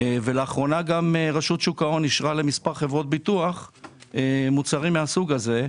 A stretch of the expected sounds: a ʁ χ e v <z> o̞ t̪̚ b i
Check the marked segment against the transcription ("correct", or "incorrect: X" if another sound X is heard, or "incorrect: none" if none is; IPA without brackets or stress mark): incorrect: ʁ